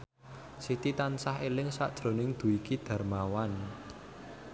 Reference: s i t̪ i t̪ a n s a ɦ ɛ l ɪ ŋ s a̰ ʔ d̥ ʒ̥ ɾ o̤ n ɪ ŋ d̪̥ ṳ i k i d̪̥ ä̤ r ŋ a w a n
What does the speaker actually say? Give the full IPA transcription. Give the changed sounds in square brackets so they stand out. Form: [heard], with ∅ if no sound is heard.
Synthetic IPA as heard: s i t̪ i t̪ a n s a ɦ [e] l ɪ ŋ s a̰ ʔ d̥ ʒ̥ ɾ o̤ n ɪ ŋ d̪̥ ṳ i k i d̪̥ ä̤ r [m] a w a n

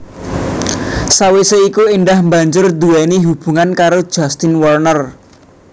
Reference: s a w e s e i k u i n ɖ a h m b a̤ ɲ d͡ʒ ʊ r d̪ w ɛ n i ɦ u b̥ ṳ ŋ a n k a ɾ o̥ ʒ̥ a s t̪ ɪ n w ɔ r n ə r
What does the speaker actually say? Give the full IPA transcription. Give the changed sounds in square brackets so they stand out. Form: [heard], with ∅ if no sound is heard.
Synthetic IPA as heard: s a w e s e i k u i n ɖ a h m b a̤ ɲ d͡ʒ ʊ r d̪ [u] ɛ n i ɦ u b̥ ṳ ŋ a n k a ɾ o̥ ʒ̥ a s t̪ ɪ n w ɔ r n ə r

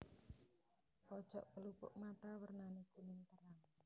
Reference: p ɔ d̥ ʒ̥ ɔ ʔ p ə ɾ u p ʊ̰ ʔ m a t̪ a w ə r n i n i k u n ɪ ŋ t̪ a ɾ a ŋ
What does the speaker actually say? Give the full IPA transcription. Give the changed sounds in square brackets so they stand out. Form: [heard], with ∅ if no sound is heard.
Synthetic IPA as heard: p ɔ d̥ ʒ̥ ɔ ʔ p ə [l] u p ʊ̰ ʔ m a t̪ a w ə r n [a] n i k u n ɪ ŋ t̪ [ə] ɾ a ŋ

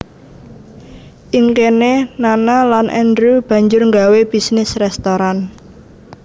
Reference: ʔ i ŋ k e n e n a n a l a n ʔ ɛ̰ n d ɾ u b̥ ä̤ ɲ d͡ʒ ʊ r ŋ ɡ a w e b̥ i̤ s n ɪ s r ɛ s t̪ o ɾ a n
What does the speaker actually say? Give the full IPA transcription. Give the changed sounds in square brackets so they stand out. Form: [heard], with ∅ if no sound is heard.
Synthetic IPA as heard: ʔ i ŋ k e n e n a n a l a n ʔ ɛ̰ n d ɾ u b̥ ä̤ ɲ d͡ʒ ʊ r ŋ ɡ a w e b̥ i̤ s n ɪ s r ɛ s t̪ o ɾ a n

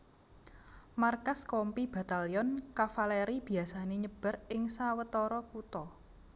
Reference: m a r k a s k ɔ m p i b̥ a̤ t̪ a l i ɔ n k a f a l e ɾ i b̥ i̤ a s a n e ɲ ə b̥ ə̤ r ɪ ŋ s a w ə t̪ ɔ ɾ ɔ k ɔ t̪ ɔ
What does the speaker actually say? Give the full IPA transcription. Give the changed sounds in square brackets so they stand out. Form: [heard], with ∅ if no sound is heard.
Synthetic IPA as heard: m a r k a s k ɔ m p i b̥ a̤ t̪ a l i ɔ n k a f a l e ɾ i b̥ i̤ a s a n e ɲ ə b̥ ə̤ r ɪ ŋ s a w ə t̪ ɔ ɾ ɔ k [u] t̪ ɔ

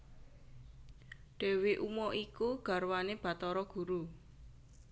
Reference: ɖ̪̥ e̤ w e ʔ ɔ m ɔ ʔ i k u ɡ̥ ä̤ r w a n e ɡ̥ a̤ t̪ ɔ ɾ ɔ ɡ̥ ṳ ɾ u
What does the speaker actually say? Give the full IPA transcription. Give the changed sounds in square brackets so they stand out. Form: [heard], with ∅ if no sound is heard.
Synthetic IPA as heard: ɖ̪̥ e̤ w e ʔ [u] m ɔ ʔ i k u ɡ̥ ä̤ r w a n e [b̥] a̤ t̪ ɔ ɾ ɔ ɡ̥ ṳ ɾ u

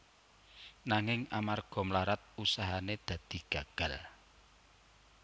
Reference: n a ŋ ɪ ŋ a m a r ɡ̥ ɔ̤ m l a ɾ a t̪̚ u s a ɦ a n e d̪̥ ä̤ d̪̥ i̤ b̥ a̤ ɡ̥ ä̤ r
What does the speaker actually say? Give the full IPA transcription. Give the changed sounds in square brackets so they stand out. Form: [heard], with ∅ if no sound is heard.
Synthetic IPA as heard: n a ŋ ɪ ŋ a m a r ɡ̥ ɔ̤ m l a ɾ a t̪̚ u s a ɦ a n e d̪̥ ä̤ d̪̥ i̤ [ɡ̥] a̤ ɡ̥ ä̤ [l]

